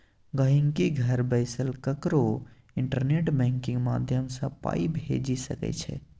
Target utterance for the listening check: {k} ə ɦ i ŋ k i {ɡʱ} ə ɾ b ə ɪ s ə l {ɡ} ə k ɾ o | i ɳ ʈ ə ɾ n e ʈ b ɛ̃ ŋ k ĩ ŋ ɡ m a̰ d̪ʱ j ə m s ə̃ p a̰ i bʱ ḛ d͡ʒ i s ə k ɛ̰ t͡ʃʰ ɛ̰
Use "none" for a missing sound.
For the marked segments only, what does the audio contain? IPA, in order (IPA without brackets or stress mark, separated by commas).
ɡ, ɡʱ, k